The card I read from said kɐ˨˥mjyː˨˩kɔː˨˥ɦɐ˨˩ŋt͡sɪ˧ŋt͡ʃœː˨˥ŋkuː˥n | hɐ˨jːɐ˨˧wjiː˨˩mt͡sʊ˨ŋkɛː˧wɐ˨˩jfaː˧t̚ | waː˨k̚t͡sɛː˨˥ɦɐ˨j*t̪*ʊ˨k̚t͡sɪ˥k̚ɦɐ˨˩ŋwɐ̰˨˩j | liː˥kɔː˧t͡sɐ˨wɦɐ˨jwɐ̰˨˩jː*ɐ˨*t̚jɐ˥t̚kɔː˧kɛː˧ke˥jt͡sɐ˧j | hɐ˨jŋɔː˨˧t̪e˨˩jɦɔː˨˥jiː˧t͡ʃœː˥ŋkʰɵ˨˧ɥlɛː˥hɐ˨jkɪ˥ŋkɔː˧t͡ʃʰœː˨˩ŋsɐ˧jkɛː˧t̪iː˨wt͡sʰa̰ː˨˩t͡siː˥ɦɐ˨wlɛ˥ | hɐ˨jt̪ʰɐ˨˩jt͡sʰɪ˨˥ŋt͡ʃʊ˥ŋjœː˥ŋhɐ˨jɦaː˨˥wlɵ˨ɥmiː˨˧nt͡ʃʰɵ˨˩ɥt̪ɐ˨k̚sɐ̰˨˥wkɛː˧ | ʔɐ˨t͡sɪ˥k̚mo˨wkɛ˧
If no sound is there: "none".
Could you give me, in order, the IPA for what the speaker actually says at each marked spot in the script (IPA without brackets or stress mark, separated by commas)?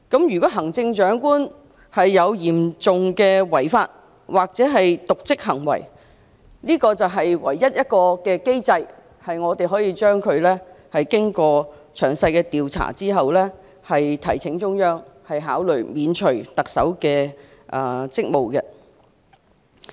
t̪, ɐ˥